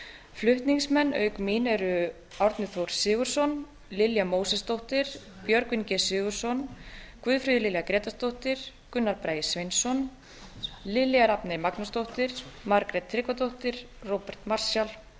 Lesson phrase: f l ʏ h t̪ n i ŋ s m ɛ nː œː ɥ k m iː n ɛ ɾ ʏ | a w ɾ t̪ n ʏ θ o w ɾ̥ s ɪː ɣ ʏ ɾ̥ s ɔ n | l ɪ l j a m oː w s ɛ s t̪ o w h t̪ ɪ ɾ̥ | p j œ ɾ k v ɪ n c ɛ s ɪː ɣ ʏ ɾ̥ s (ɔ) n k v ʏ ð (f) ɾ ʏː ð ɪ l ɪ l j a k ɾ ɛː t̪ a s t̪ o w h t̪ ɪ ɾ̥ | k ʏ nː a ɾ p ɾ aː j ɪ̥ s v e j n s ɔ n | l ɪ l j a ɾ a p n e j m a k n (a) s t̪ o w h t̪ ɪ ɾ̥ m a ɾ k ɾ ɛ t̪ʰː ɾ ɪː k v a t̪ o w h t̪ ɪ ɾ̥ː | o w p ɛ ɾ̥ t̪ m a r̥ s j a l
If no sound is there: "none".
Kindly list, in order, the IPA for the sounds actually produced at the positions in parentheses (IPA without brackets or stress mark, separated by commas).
ɔ, f, a